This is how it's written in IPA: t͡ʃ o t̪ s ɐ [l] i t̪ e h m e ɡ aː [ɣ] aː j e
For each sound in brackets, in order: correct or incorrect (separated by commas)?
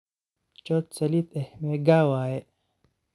correct, incorrect